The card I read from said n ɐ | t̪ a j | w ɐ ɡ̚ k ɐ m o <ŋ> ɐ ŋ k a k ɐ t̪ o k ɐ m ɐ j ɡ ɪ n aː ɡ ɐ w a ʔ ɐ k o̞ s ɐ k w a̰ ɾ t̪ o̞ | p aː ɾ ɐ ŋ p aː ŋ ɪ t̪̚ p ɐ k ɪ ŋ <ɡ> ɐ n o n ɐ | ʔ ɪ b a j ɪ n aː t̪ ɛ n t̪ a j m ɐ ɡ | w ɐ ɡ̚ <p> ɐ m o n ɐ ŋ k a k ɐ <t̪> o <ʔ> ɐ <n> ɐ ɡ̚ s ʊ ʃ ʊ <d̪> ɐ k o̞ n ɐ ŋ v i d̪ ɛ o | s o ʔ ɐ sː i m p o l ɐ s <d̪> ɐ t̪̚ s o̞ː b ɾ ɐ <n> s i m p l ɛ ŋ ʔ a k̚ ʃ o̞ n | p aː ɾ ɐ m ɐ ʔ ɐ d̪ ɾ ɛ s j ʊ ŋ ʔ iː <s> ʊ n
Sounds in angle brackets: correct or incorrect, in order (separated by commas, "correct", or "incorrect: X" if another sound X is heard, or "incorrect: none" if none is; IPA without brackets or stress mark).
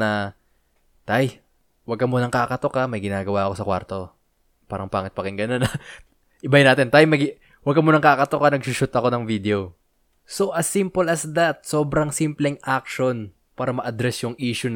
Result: incorrect: n, correct, incorrect: k, correct, incorrect: k, correct, incorrect: t̪, correct, incorrect: ŋ, incorrect: ʃ